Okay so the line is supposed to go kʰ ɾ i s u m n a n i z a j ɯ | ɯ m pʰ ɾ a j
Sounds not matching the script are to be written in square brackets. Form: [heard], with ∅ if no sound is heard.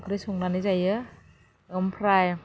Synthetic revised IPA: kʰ ɾ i s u [ŋ] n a n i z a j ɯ | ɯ m pʰ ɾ a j

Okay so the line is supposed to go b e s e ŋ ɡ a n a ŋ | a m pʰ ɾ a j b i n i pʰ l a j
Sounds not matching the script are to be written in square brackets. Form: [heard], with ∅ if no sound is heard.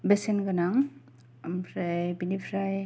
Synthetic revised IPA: b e s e [n] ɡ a n a ŋ | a m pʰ ɾ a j b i n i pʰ [ɾ] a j

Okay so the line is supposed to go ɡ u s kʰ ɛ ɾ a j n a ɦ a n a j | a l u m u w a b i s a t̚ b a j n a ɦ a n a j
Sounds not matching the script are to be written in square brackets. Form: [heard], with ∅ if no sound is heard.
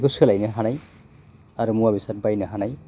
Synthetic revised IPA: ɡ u s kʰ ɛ [l] a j n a ɦ a n a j | a [ɾ] u m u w a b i s a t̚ b a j n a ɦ a n a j

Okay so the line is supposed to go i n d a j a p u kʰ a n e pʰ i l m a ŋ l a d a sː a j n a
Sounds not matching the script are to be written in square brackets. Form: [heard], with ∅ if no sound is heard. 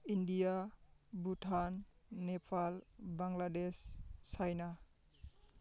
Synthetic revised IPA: i n d [i] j a [b] u [tʰ] a [nː] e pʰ [a] l [b] a ŋ l a d [e] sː a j n a

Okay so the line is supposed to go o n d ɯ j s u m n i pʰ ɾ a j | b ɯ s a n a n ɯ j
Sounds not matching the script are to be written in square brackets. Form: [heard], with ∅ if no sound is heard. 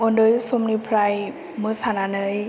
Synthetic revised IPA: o n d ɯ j s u m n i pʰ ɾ a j | [m] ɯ s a n a n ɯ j

